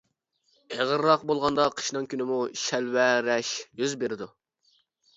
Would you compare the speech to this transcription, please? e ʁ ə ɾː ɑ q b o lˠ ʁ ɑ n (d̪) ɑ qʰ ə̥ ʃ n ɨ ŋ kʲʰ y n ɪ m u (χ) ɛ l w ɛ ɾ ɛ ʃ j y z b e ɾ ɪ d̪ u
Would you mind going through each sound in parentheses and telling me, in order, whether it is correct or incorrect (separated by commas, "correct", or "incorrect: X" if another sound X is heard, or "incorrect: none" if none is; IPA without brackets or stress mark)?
correct, incorrect: ʃ